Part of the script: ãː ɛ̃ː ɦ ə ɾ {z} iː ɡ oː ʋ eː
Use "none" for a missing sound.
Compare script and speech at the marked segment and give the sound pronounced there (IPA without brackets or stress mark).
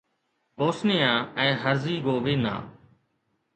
z